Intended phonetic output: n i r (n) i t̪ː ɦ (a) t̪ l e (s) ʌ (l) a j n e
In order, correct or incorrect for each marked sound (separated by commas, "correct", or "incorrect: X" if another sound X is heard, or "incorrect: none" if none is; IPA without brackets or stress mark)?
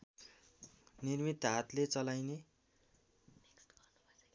incorrect: m, correct, incorrect: t͡s, correct